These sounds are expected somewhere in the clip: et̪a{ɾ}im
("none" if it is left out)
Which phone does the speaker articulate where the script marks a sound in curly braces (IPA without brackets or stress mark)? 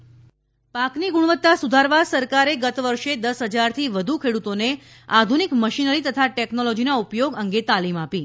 l